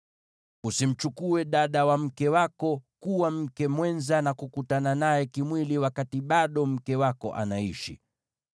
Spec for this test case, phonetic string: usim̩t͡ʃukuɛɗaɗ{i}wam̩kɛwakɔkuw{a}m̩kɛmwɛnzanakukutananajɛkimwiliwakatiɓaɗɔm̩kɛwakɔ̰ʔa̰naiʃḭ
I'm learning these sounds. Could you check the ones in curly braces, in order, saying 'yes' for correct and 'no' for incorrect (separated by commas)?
no, yes